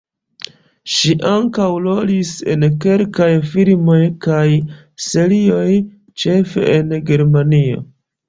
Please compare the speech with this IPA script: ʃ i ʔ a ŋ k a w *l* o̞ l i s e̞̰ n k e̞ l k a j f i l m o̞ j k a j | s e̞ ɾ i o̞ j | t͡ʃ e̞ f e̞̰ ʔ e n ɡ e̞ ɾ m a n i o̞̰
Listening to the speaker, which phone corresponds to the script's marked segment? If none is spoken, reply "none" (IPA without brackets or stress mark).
l